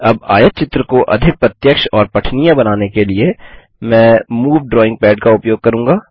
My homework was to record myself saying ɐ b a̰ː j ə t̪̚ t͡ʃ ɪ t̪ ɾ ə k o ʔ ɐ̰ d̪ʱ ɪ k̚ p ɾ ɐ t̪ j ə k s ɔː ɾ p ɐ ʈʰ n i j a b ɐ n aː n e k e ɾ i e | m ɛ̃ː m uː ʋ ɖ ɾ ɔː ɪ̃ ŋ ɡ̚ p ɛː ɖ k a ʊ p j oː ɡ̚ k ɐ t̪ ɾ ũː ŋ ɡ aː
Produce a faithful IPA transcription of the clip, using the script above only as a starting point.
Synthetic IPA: ɐ b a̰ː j ə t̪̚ t͡ʃ ɪ t̪ ɾ ə k o ʔ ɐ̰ d̪ʱ ɪ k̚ p ɾ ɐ t̪ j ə k ʃ ɔː ɾ p ɐ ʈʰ n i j a b ɐ n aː n e k e l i e | m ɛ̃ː m uː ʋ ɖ ɾ ɔː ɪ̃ ŋ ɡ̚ p ɛː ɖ k a ʊ p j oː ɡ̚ k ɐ ɾ ũː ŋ ɡ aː